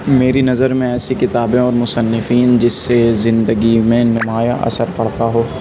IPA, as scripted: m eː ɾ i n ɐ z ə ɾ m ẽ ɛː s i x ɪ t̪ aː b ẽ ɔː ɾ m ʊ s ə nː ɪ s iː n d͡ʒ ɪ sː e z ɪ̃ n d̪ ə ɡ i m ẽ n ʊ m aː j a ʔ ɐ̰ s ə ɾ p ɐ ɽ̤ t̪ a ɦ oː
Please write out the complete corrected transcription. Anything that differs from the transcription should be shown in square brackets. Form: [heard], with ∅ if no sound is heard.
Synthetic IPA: m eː ɾ i n ɐ z ə ɾ m ẽ ɛː s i [k] ɪ t̪ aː b ẽ ɔː ɾ m ʊ s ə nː ɪ [f] iː n d͡ʒ ɪ sː e z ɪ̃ n d̪ ə ɡ i m ẽ n ʊ m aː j a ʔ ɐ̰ s ə ɾ p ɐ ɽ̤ t̪ a ɦ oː